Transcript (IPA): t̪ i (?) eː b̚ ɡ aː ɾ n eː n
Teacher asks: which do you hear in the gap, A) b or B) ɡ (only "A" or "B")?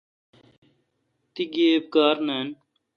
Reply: B